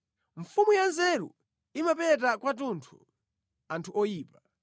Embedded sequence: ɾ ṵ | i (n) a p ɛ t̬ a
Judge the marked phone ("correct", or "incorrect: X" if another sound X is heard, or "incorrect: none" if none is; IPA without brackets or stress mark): incorrect: m